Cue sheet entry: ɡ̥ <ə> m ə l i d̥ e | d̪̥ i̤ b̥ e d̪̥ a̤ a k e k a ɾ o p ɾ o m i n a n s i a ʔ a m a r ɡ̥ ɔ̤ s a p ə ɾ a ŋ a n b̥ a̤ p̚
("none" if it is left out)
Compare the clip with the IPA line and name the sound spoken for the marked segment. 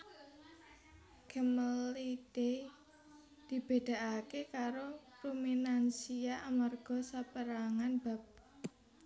ə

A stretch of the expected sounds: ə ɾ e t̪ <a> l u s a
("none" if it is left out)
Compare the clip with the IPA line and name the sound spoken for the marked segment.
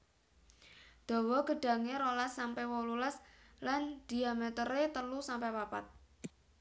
ə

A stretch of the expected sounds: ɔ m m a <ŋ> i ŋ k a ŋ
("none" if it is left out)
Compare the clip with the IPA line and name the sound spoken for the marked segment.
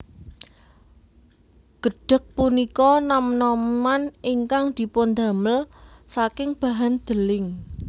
n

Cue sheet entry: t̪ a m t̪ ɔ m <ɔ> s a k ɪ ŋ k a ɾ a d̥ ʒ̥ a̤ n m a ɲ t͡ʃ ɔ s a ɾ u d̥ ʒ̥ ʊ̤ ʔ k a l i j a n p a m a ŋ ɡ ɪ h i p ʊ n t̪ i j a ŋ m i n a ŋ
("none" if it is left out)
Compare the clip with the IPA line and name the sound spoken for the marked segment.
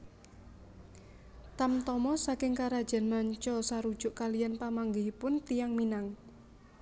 ɔ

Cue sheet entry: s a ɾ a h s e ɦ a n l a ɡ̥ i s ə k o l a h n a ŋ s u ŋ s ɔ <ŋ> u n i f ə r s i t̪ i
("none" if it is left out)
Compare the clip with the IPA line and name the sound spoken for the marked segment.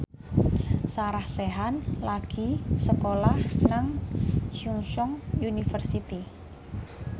ŋ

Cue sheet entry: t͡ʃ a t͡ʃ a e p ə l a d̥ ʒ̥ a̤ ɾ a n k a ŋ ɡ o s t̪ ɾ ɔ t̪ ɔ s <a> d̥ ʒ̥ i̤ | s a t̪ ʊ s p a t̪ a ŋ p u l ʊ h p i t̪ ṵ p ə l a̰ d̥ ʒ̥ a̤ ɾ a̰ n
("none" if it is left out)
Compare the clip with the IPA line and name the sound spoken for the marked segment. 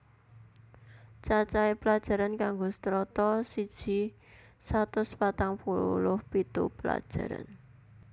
i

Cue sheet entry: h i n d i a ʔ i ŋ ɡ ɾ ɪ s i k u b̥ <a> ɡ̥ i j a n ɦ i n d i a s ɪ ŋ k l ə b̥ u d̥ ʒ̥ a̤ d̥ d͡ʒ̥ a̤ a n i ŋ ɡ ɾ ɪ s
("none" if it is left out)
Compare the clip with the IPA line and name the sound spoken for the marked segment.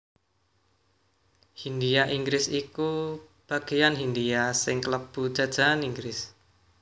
a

